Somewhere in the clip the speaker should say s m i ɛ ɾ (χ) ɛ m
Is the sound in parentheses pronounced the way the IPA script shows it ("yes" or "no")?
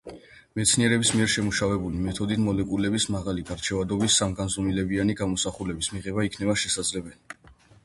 no